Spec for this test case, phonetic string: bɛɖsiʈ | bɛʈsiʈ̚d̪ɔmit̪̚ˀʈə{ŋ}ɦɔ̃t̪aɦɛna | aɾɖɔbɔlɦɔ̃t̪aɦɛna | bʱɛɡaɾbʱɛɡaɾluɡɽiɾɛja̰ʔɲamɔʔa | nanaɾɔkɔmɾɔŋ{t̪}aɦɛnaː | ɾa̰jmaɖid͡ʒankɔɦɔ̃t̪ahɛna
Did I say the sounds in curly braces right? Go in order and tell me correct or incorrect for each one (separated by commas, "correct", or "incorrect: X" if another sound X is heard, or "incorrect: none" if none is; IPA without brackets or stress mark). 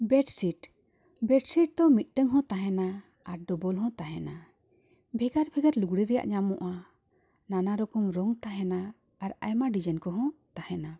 correct, correct